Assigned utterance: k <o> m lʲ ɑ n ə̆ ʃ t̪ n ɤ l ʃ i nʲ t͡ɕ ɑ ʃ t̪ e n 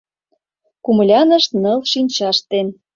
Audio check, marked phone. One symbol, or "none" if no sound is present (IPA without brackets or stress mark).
u